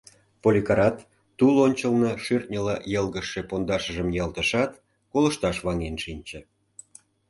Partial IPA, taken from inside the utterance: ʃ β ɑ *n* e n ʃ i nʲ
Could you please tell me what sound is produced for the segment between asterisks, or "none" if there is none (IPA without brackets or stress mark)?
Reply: ŋ